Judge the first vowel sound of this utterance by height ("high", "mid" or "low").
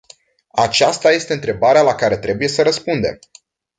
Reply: low